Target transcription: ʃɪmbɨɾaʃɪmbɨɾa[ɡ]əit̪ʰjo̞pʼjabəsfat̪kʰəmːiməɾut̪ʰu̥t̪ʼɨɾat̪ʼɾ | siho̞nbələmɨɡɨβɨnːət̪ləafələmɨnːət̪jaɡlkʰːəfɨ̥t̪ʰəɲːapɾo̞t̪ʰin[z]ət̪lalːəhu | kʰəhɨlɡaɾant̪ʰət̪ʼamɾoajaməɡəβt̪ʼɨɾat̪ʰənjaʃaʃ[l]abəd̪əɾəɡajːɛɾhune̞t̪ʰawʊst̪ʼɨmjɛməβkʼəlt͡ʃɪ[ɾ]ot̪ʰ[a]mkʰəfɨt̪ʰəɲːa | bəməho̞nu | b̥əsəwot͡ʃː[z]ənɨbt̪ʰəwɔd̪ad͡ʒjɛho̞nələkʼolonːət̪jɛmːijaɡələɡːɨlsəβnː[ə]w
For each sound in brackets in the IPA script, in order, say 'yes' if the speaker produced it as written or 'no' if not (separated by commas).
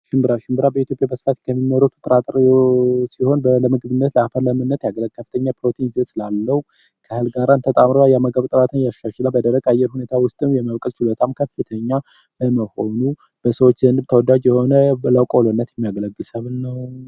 no, yes, yes, no, yes, yes, yes